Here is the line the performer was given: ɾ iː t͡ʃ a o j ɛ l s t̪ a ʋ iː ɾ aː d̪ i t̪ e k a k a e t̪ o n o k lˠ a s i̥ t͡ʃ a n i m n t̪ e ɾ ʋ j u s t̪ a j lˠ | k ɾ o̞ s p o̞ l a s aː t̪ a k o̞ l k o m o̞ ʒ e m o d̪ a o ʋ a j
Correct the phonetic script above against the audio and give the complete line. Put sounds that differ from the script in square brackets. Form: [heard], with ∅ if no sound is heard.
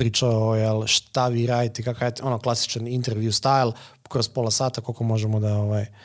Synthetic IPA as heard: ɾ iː t͡ʃ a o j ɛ l [ʃ] t̪ a ʋ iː ɾ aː d̪ i t̪ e k a k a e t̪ o n o k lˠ a s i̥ t͡ʃ a n i [∅] n t̪ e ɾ ʋ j u s t̪ a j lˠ | k ɾ o̞ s p o̞ l a s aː t̪ a k o̞ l k o m o̞ ʒ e m o d̪ a o ʋ a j